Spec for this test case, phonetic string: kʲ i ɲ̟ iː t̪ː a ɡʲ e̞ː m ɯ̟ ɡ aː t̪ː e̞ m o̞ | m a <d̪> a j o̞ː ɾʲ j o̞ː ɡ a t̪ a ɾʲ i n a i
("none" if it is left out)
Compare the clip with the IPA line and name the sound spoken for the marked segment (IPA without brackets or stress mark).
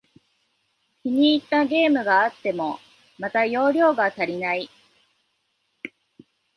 t̪